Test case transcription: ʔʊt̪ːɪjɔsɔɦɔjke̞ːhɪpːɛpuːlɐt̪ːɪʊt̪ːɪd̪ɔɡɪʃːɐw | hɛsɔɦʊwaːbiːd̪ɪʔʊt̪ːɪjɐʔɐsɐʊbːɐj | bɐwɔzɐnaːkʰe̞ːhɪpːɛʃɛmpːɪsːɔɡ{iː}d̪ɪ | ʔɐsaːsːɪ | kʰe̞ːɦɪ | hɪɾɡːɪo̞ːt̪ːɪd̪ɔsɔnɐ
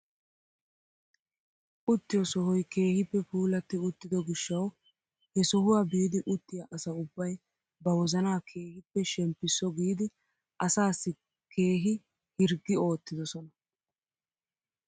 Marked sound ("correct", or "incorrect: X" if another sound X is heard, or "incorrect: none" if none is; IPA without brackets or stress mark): correct